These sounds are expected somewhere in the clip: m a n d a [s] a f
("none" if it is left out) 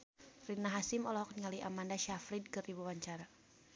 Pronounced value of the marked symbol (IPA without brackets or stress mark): ʃ